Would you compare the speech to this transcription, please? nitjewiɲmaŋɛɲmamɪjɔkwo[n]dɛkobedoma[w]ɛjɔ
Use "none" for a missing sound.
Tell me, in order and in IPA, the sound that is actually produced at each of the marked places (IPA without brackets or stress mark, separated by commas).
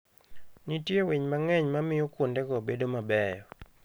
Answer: n, b